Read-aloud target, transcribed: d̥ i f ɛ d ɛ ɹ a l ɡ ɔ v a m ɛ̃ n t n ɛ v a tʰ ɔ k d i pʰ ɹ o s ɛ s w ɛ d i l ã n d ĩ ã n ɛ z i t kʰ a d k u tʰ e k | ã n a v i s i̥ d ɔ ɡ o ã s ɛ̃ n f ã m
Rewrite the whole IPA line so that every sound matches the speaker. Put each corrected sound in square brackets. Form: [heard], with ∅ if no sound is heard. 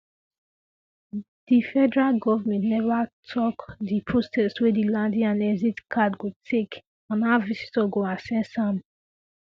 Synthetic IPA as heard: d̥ i f ɛ d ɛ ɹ a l ɡ ɔ v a m ɛ̃ n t n ɛ v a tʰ ɔ k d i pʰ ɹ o s ɛ s w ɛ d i l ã n d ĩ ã n ɛ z i t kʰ a d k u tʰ e k | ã n a v i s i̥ [t] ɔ ɡ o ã s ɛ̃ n [s] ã m